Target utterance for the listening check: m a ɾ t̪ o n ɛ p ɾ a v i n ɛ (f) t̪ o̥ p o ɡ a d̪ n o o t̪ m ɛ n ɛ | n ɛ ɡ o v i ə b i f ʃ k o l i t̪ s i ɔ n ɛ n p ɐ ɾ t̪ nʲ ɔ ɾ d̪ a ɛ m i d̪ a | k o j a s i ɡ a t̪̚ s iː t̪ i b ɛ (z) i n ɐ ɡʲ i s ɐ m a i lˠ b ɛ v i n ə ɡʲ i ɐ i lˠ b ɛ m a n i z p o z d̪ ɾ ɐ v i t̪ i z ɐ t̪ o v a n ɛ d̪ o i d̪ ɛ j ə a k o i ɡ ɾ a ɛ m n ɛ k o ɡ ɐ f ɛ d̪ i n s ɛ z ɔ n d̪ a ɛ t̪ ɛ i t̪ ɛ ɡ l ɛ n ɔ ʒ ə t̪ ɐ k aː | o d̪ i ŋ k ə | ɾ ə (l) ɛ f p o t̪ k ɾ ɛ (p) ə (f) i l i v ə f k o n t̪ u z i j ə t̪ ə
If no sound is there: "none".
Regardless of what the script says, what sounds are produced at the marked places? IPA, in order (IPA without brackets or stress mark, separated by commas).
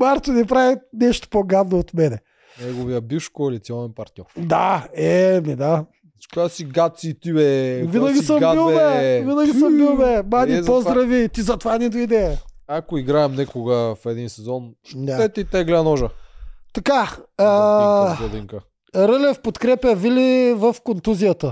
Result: ʃ, v, l, p, v